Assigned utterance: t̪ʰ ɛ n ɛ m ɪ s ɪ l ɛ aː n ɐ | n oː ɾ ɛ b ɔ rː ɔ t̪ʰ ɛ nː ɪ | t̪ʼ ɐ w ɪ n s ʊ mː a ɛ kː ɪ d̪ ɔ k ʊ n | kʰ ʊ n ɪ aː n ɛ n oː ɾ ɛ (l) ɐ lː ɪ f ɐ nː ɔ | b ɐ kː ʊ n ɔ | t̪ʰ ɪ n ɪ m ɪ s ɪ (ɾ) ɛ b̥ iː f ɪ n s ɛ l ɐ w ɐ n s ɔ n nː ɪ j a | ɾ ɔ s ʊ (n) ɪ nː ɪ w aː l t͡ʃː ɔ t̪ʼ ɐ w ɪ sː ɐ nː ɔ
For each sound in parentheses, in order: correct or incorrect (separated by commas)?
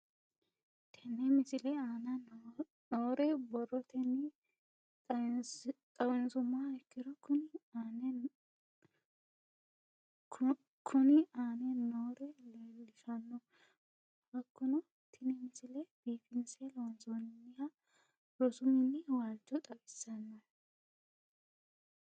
correct, incorrect, incorrect